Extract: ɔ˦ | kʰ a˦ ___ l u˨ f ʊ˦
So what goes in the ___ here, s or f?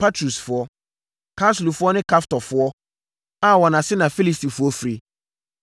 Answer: s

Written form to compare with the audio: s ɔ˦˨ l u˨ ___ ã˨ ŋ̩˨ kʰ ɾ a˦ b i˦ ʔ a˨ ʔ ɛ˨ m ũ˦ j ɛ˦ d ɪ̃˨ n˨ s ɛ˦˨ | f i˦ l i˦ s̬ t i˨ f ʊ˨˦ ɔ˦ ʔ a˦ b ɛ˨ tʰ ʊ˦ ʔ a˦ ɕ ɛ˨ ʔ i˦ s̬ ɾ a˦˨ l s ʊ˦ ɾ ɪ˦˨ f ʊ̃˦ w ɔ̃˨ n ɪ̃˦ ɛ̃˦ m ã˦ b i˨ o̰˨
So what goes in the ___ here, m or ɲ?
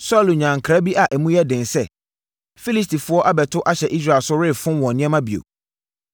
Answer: ɲ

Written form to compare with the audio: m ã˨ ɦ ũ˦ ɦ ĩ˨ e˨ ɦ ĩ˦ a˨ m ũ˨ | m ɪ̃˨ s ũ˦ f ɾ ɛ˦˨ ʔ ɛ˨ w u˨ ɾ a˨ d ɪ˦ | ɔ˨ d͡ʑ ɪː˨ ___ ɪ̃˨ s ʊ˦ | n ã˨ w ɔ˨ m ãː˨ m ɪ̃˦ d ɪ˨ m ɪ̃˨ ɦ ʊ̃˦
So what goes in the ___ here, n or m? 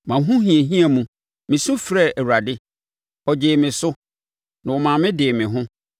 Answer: m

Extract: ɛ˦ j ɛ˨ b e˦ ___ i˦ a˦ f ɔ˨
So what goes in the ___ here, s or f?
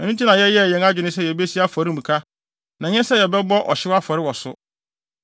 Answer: s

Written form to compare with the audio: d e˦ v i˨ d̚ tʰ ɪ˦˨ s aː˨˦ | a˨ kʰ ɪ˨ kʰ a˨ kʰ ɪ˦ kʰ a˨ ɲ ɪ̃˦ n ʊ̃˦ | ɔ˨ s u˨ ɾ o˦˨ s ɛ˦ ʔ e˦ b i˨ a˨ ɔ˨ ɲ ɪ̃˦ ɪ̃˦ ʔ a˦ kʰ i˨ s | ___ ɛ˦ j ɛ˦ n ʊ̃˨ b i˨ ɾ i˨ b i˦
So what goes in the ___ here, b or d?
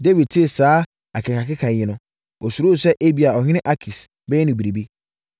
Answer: b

